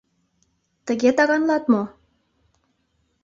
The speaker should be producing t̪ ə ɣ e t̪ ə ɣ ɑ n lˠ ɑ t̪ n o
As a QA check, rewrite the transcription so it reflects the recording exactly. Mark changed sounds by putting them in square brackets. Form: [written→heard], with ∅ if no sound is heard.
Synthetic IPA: t̪ ə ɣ e t̪ [ə→ɑ] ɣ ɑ n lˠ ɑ t̪ [n→m] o